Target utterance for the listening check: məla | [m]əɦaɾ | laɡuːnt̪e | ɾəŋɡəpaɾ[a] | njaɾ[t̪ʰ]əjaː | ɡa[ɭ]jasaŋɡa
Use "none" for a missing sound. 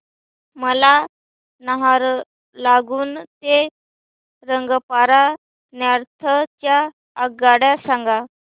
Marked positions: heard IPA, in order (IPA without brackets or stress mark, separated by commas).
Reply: n, a, t̪ʰ, ɽ